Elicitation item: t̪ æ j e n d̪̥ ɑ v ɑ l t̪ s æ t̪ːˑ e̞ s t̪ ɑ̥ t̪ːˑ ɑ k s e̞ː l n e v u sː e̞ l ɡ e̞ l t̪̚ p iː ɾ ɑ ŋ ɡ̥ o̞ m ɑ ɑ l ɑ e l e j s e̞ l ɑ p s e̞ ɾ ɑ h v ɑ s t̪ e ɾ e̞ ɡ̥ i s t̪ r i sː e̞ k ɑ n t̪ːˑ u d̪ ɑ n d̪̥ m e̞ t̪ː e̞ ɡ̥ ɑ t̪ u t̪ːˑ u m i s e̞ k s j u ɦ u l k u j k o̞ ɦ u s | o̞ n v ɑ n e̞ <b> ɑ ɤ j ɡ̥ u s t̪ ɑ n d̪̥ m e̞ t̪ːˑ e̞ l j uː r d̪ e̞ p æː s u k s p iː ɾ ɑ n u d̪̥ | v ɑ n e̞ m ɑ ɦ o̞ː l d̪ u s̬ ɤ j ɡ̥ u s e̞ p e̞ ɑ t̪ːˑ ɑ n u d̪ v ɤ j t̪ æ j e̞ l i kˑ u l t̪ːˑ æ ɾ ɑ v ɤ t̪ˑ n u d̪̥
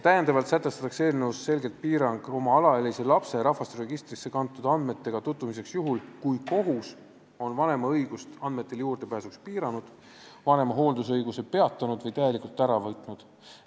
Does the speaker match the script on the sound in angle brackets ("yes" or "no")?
no